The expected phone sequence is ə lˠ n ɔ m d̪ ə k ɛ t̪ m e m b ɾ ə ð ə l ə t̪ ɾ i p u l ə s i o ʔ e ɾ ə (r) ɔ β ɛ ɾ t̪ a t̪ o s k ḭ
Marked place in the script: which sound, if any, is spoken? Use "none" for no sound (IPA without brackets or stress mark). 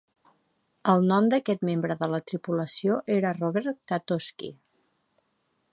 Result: r